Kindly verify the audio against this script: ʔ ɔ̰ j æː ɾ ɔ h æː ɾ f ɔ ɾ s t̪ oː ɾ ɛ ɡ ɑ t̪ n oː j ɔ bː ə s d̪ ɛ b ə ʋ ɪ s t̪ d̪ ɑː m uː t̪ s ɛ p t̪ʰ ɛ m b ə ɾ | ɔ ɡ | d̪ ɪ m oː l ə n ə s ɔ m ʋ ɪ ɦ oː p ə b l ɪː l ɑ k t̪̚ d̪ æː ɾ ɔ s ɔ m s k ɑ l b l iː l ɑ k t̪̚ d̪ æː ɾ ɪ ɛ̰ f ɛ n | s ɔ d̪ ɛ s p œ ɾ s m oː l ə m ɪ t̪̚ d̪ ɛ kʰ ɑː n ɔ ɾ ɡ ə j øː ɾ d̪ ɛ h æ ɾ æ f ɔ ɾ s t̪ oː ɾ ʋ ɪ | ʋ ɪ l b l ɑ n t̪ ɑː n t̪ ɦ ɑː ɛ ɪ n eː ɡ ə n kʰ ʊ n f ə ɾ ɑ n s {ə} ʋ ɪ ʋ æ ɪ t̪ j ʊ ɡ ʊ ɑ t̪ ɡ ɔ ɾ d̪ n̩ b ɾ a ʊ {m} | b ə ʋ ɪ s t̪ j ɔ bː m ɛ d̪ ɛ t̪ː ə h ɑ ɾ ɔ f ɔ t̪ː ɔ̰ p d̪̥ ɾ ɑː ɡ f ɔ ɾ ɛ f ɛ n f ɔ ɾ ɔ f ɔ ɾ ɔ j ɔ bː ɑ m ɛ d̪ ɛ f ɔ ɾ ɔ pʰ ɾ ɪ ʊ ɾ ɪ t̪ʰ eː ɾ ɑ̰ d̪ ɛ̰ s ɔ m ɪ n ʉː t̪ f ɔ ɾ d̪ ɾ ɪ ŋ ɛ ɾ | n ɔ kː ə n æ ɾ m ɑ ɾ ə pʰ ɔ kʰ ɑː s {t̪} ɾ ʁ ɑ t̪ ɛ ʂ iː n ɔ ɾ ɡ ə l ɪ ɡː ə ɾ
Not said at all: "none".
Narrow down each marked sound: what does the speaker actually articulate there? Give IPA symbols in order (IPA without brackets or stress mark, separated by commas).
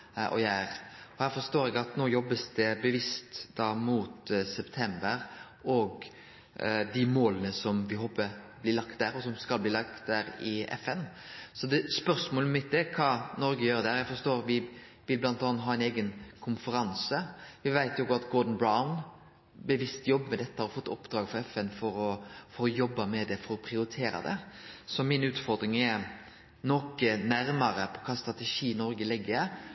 ə, n, t̪